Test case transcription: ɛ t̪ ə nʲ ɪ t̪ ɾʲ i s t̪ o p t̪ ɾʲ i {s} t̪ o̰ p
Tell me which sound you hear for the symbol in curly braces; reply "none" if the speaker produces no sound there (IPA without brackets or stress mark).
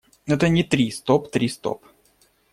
s